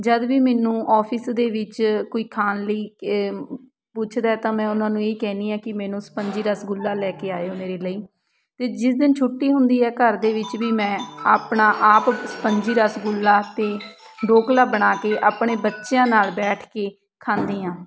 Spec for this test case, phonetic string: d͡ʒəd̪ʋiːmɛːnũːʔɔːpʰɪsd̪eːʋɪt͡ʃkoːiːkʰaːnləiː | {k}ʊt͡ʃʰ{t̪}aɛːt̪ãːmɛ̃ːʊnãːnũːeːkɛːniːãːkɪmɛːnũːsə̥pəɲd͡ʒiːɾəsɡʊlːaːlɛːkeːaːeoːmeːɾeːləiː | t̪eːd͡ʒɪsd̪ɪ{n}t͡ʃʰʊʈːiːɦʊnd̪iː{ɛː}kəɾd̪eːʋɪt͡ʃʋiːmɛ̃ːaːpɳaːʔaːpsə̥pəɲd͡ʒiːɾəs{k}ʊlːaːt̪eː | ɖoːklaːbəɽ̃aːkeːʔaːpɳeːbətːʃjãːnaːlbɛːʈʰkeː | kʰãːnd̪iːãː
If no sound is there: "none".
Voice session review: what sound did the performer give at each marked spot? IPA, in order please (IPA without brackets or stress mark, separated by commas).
p, d̪, n, ɛː, ɡ